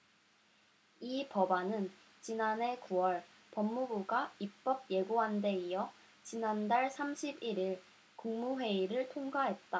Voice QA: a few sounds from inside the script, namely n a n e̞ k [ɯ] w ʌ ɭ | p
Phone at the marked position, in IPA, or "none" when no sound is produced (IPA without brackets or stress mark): u